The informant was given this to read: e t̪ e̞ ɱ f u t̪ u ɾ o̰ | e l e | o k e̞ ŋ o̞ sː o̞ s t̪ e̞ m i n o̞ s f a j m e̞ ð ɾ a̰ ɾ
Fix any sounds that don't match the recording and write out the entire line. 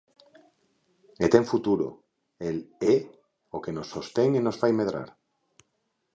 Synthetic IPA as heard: e t̪ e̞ ɱ f u t̪ u ɾ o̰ | e l e | o k e̞ n o̞ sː o̞ s t̪ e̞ ŋ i n o̞ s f a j m e̞ ð ɾ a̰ ɾ